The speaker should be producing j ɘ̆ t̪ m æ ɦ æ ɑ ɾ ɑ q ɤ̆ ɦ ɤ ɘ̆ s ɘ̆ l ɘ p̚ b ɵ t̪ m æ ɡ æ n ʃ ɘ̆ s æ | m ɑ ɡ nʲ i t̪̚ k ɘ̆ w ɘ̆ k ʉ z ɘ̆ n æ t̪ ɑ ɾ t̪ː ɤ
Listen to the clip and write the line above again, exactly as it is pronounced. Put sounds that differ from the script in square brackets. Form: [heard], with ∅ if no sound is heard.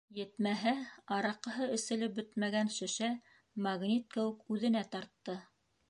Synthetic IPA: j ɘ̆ t̪ m æ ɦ æ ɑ ɾ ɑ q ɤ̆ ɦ ɤ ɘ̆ s ɘ̆ l ɘ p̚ b ɵ t̪ m æ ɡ æ n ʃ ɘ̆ [ʃ] æ | m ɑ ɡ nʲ i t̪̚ k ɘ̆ w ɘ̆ k ʉ [ð] ɘ̆ n æ t̪ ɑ ɾ t̪ː ɤ